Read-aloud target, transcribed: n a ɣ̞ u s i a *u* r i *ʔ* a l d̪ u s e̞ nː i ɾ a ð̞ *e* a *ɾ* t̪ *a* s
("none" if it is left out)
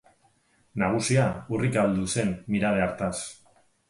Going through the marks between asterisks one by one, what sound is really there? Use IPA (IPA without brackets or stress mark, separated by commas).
u, k, e, ɾ, a